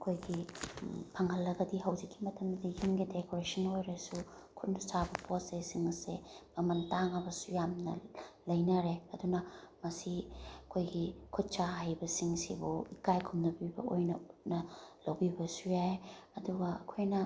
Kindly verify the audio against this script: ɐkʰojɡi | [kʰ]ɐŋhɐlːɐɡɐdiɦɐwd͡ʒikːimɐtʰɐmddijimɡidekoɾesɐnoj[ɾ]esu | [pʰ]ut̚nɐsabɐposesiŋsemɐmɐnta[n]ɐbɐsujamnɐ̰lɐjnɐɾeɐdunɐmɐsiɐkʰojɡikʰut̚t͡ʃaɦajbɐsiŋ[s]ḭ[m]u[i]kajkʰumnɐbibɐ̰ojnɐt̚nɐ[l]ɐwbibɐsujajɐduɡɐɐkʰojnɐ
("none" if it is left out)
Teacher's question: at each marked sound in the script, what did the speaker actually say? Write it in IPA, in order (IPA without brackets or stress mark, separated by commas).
pʰ, ɾ, kʰ, ŋ, s, b, i, l